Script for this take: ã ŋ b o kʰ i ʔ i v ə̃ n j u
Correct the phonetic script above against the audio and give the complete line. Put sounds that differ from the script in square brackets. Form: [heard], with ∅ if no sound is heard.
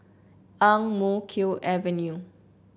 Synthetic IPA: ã ŋ [m] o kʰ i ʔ [ɛ] v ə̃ n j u